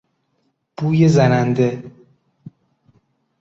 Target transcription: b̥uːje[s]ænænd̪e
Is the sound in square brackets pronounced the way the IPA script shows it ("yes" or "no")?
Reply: no